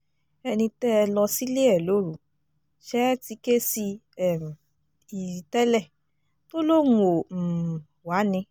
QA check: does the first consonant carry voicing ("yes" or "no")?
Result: yes